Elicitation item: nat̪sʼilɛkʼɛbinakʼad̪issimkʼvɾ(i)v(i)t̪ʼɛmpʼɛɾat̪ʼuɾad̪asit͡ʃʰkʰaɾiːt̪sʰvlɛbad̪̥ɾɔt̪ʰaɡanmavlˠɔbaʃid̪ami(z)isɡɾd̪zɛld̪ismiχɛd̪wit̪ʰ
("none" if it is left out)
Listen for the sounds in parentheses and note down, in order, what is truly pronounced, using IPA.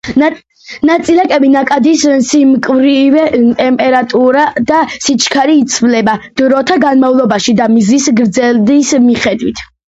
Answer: i, ɛ, z

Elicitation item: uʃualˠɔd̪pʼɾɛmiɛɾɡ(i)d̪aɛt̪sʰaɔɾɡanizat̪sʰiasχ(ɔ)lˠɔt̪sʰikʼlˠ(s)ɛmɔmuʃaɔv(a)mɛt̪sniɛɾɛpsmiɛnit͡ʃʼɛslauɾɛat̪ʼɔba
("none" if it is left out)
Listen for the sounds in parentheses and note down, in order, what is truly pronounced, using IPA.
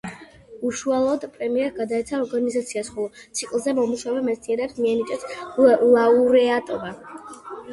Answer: a, ɔ, z, ɛ

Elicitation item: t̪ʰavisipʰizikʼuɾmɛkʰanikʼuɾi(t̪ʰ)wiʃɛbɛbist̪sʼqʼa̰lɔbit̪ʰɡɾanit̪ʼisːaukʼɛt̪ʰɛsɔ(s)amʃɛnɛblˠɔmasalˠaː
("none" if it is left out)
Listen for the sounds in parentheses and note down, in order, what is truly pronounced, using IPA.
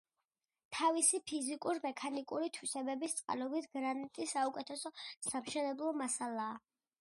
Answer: t̪ʰ, s

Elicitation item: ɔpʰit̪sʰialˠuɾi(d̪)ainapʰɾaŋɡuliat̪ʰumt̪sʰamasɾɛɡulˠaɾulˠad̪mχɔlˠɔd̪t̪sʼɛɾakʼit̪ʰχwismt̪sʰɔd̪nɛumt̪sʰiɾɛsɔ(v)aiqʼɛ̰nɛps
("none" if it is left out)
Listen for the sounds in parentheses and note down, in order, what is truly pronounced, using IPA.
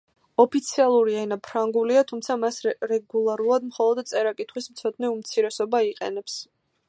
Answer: none, b

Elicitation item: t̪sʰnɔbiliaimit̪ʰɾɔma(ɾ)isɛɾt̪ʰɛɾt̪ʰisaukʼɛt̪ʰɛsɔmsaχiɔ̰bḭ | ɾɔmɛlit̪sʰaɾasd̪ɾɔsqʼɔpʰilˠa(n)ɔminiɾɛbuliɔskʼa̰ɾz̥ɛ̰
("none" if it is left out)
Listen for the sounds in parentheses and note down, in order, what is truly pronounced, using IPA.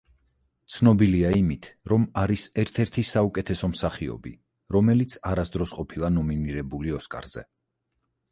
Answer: ɾ, n

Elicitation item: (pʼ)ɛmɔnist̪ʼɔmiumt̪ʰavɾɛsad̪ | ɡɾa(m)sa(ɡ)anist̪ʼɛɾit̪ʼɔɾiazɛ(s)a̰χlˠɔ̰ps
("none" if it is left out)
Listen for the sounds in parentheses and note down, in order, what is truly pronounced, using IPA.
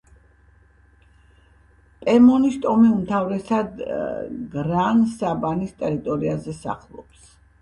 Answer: pʼ, n, b, s

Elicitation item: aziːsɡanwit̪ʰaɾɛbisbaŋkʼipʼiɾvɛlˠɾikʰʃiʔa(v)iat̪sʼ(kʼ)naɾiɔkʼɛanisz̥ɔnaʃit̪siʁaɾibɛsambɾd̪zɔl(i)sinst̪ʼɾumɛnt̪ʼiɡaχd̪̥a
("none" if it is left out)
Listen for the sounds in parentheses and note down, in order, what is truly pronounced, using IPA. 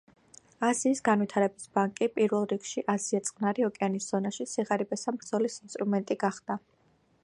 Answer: z, qʼ, i

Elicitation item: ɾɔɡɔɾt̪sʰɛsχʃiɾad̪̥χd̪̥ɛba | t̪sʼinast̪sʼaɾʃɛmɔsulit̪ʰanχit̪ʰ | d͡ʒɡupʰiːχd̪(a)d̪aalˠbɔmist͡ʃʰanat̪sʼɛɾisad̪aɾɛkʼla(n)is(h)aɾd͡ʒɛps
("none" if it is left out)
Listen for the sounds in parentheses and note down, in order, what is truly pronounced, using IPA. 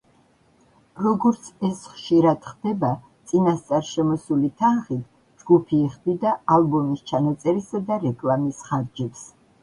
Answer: i, m, χ

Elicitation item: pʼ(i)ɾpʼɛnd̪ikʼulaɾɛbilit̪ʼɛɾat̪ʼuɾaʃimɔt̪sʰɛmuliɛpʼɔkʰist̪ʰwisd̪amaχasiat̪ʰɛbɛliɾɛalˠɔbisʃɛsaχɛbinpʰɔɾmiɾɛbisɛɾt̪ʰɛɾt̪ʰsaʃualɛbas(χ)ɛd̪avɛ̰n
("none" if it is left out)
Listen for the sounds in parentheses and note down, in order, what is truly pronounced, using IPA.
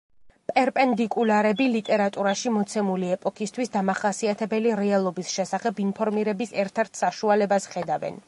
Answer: ɛ, χ

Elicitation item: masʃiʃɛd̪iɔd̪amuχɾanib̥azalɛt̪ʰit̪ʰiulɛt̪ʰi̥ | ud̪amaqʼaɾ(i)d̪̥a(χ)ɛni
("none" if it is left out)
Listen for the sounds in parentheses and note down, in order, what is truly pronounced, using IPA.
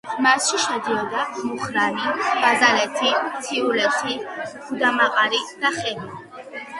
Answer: i, χ

